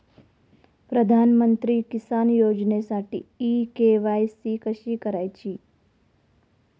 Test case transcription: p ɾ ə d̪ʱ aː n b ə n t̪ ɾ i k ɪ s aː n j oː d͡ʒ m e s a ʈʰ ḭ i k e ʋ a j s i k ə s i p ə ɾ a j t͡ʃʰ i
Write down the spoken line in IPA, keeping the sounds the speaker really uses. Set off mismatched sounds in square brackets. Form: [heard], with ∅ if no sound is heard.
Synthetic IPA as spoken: p ɾ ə d̪ʱ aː n [m] ə n t̪ ɾ i k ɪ s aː n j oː d͡ʒ [n] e s a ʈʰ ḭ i k e ʋ a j s i k ə [ʃ] i [k] ə ɾ a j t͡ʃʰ i